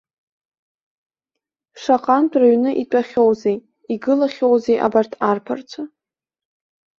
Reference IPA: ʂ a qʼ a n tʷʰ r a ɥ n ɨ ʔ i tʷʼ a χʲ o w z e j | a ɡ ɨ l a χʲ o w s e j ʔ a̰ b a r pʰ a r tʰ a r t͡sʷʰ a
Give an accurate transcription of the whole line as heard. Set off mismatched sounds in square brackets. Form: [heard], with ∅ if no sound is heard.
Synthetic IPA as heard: ʂ a qʼ a n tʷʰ r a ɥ n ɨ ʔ i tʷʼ a χʲ o w z e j | [i] ɡ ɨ l a χʲ o w [z] e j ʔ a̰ b a r [tʰ] a r [pʰ] a r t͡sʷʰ a